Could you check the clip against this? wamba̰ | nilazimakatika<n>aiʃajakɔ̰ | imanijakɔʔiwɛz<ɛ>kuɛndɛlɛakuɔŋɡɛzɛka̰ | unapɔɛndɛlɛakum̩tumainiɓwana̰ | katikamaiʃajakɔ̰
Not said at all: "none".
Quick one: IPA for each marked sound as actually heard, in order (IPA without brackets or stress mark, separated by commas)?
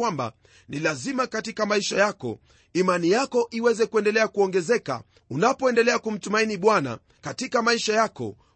m, ɛ